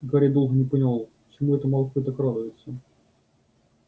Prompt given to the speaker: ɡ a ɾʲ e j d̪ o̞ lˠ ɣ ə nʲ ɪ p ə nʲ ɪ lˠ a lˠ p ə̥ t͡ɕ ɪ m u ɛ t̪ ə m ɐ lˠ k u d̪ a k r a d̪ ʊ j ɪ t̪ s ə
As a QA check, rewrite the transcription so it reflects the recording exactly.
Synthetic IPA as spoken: ɡ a ɾʲ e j d̪ o̞ lˠ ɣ ə nʲ ɪ p ə nʲ ɪ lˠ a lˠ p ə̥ t͡ɕ ɪ m u ɛ t̪ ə m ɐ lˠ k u t̪ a k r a d̪ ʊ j ɪ t̪ s ə